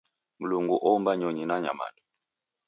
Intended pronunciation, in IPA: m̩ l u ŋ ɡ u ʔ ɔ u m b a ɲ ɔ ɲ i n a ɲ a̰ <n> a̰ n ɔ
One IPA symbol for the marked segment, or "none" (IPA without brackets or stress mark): m